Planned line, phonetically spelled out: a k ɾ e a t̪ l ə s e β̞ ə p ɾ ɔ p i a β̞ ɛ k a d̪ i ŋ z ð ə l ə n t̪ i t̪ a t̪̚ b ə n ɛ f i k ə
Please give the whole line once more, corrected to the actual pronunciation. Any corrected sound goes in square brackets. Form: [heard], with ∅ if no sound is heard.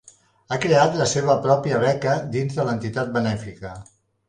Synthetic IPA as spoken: a k ɾ e a t̪ l ə s e β̞ ə p ɾ ɔ p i [ə] β̞ ɛ k [ə] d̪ i [n] z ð ə l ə n t̪ i t̪ a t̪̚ b ə n ɛ f i k ə